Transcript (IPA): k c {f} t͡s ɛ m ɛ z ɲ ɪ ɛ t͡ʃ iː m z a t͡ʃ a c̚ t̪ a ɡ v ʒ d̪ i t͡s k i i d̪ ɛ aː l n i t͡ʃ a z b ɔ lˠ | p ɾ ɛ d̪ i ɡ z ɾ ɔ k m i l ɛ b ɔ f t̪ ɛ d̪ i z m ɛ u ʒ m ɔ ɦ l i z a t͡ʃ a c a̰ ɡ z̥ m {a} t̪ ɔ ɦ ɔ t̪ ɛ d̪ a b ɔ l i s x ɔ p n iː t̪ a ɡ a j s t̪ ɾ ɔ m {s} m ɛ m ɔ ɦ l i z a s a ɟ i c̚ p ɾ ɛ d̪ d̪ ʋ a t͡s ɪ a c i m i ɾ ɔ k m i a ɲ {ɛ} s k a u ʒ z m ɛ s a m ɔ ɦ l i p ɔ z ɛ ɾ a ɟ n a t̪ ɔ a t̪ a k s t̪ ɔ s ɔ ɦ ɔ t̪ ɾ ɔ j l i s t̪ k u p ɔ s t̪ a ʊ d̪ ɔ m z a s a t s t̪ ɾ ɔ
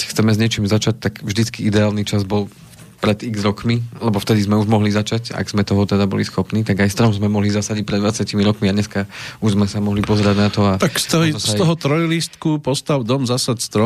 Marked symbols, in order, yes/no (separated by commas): no, no, no, yes